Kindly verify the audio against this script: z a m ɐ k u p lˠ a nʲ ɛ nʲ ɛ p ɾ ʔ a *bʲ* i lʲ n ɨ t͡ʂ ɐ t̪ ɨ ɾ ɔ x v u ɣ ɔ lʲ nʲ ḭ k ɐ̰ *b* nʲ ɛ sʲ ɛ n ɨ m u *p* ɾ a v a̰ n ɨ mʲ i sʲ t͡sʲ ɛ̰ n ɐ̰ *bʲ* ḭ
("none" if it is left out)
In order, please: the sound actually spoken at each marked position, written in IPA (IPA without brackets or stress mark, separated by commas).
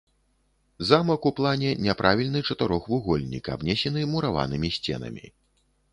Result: vʲ, b, none, mʲ